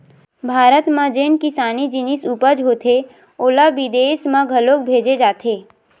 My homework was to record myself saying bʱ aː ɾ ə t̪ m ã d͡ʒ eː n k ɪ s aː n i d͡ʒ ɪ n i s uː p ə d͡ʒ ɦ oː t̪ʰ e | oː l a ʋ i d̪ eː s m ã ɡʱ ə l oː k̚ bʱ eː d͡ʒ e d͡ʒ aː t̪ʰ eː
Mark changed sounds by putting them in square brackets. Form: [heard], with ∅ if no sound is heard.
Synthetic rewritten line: bʱ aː ɾ ə t̪ m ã d͡ʒ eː n k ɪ s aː n i d͡ʒ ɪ n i s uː p ə d͡ʒ ɦ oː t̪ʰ e | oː l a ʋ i d̪ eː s m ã ɡʱ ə l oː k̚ bʱ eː d͡ʒ e d͡ʒ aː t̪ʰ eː